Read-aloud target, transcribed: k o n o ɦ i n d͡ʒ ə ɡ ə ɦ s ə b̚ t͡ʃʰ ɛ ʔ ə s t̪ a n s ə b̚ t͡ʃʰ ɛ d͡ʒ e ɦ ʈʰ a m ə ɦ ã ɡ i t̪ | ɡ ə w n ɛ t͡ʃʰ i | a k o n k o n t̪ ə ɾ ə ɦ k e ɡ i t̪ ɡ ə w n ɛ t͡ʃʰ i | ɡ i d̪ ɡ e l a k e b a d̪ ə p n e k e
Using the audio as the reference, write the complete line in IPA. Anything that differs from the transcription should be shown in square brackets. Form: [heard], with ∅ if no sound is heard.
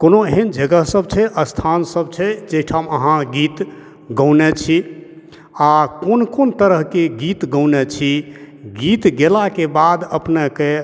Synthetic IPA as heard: k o n o ɦ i n d͡ʒ ə ɡ ə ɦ s ə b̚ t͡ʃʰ ɛ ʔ ə s [t̪ʰ] a n s ə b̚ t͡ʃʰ ɛ d͡ʒ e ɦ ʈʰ a m ə ɦ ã ɡ i t̪ | ɡ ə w n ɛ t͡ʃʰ i | a k o n k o n t̪ ə ɾ ə ɦ k e ɡ i t̪ ɡ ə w n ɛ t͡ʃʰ i | ɡ i [t̪] ɡ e l a k e b a d̪ ə p n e k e